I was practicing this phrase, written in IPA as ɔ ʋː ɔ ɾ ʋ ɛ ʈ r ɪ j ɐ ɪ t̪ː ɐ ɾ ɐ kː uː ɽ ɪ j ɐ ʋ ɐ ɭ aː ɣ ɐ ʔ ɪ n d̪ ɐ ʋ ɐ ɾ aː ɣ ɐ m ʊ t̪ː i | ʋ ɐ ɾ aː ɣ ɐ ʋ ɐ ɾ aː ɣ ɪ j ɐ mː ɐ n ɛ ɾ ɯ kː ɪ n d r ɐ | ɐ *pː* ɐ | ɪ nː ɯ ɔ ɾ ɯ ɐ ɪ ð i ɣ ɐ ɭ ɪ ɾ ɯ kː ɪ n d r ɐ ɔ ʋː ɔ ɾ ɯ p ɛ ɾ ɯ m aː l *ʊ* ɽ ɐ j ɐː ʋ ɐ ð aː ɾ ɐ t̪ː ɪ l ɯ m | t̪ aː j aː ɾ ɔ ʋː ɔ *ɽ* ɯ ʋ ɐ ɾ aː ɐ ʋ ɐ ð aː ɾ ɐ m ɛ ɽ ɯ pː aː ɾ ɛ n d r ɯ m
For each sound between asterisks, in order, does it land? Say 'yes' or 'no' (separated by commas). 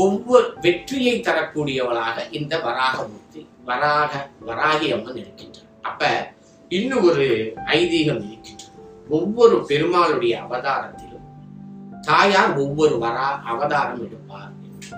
yes, no, no